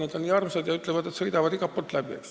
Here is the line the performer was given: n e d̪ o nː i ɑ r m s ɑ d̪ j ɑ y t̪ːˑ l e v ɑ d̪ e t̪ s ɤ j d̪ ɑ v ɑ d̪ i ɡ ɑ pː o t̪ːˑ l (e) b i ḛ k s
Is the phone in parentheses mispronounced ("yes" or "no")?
yes